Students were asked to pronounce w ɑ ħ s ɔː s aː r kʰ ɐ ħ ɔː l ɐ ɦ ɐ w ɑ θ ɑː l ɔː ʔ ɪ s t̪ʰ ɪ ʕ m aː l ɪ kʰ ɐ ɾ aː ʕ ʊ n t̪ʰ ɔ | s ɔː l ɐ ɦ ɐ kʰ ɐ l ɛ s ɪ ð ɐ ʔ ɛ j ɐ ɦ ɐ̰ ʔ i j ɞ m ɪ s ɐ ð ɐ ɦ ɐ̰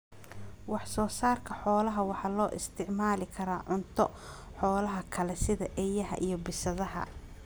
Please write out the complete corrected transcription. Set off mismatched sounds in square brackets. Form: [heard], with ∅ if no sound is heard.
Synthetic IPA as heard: w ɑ ħ s ɔː s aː r kʰ ɐ ħ ɔː l ɐ ɦ ɐ w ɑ [ħ] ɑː l ɔː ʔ ɪ s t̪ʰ ɪ ʕ m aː l ɪ kʰ ɐ ɾ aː ʕ ʊ n t̪ʰ ɔ | [ħ] ɔː l ɐ ɦ ɐ kʰ ɐ l ɛ s ɪ ð ɐ ʔ ɛ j ɐ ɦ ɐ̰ ʔ i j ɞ [b] ɪ s ɐ ð ɐ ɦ ɐ̰